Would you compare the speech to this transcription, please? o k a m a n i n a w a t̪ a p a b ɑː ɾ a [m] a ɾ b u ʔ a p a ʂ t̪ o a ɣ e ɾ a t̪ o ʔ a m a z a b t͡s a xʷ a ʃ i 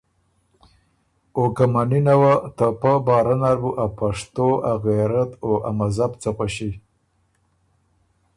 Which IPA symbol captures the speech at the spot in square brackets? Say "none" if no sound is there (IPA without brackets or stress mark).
n